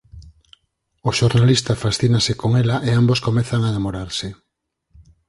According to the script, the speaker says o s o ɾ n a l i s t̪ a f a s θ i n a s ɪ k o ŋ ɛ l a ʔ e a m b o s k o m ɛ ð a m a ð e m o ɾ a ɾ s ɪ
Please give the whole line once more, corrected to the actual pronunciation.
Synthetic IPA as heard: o ʃ o ɾ n a l i s t̪ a f a s θ i n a s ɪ k o ŋ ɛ l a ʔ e a m b o s k o m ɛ θ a ŋ a ð e m o ɾ a ɾ s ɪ